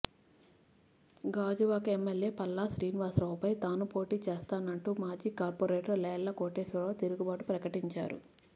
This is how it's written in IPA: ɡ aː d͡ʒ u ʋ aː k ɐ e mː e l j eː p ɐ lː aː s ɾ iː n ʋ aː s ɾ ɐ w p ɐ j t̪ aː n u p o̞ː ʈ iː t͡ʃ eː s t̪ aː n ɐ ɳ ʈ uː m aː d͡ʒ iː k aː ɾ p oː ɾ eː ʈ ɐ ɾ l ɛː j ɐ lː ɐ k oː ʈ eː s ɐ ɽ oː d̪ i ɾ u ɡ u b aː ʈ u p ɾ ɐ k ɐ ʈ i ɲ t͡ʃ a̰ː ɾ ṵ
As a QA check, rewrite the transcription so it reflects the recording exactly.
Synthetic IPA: ɡ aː d͡ʒ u ʋ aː k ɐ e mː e l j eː p ɐ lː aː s ɾ iː n ʋ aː s ɾ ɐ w p ɐ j t̪ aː n u p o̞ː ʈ iː t͡ʃ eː s t̪ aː n ɐ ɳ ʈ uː m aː d͡ʒ iː k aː ɾ p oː ɾ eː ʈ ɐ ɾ l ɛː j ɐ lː ɐ k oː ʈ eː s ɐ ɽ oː t̪ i ɾ u ɡ u b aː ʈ u p ɾ ɐ k ɐ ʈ i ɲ t͡ʃ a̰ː ɾ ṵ